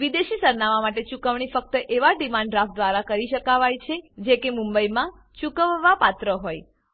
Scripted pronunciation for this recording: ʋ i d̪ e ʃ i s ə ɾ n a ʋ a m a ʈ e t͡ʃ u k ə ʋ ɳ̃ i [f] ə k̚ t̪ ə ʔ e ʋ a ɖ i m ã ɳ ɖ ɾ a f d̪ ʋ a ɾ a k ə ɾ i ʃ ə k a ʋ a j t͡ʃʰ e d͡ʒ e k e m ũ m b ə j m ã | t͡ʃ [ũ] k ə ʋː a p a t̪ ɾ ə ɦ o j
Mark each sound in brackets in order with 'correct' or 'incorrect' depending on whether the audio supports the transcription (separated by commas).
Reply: correct, incorrect